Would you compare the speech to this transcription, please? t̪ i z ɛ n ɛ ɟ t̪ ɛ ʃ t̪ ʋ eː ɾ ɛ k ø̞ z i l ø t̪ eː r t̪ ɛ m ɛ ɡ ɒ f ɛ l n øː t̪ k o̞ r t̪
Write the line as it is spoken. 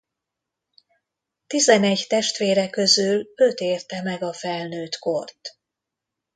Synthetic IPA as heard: t̪ i z ɛ n ɛ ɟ t̪ ɛ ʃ t̪ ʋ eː ɾ ɛ k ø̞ z y l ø t̪ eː r t̪ ɛ m ɛ ɡ ɒ f ɛ l n øː t̪ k o̞ r t̪